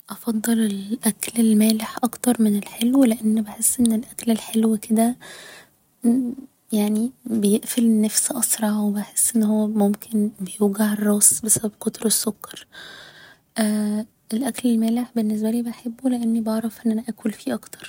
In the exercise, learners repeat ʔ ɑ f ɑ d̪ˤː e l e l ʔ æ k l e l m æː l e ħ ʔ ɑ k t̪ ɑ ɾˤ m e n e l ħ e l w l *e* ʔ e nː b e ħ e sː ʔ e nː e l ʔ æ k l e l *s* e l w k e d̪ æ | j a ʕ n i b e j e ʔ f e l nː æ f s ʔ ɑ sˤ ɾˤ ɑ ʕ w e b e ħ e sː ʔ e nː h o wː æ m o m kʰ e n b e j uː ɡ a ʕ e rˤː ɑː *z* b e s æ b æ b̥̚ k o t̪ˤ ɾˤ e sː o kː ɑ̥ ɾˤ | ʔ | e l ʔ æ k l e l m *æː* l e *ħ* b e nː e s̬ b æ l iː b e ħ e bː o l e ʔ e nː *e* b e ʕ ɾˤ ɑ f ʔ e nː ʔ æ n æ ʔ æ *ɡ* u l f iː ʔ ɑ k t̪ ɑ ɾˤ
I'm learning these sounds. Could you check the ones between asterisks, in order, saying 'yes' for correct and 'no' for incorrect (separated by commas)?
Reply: yes, no, no, yes, yes, no, no